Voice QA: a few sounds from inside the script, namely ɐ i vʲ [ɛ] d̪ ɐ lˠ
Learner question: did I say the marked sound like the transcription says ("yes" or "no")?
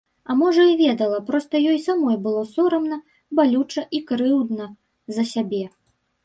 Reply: yes